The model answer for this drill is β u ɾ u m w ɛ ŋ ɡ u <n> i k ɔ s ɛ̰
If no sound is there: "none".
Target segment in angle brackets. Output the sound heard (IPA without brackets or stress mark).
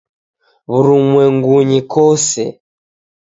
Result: ɲ